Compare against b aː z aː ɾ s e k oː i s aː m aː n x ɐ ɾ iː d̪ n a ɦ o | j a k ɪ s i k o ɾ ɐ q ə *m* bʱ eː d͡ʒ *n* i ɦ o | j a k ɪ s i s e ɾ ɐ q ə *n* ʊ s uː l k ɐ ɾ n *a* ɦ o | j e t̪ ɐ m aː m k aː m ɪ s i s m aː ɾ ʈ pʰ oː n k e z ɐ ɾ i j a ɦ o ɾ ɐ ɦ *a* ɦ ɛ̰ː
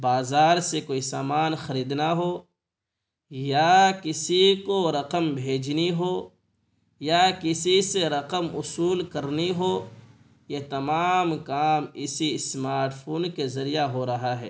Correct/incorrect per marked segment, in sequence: correct, correct, incorrect: m, incorrect: i, correct

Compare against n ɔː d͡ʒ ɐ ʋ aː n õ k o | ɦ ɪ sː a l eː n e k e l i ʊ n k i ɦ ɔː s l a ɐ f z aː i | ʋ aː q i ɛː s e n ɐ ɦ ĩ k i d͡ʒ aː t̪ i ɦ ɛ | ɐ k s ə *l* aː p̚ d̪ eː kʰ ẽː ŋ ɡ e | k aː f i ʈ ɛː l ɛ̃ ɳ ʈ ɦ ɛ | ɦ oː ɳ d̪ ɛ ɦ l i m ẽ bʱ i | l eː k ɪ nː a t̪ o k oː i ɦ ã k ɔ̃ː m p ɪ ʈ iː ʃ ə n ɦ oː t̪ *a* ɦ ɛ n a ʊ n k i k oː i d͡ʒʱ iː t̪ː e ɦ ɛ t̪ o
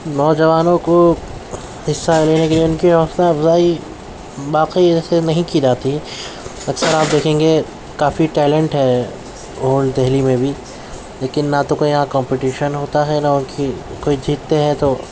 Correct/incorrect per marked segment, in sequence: incorrect: ɾ, correct

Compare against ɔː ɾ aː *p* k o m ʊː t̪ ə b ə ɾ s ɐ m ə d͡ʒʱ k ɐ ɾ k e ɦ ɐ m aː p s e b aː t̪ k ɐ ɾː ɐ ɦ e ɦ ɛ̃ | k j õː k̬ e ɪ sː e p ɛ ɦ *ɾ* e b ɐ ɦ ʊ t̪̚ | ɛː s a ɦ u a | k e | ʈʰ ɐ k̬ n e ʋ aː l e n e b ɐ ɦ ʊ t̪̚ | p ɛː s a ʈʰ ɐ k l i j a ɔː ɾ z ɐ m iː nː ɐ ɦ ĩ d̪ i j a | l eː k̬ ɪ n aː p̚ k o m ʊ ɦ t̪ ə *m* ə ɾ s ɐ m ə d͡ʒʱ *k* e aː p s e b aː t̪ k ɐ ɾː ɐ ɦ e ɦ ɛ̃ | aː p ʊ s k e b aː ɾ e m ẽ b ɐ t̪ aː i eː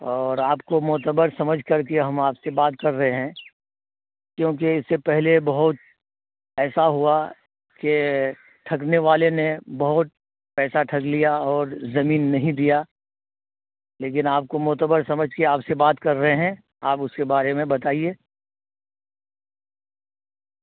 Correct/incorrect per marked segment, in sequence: correct, incorrect: l, incorrect: b, correct

